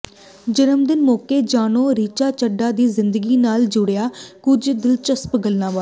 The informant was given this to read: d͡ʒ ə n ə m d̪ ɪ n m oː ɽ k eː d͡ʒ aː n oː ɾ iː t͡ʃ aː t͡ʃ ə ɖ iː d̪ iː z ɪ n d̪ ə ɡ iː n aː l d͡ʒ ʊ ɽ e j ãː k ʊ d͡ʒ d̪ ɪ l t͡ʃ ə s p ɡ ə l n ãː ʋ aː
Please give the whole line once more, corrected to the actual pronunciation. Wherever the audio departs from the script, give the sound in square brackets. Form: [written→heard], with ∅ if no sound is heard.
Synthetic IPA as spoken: d͡ʒ ə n ə m d̪ ɪ n m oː [ɽ→∅] k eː d͡ʒ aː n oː ɾ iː t͡ʃ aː t͡ʃ ə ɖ [iː→aː] d̪ iː z ɪ n d̪ ə ɡ iː n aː l d͡ʒ ʊ ɽ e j [ãː→aː] k ʊ d͡ʒ d̪ ɪ l t͡ʃ ə s p ɡ ə l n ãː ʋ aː